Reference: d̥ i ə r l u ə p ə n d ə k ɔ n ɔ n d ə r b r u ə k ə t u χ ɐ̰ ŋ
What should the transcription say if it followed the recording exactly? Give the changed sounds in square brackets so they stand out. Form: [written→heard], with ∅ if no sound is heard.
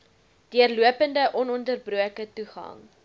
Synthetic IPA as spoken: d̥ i ə r l u ə p ə n d ə [k→ʔ] ɔ n ɔ n d ə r b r u ə k ə t u χ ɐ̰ ŋ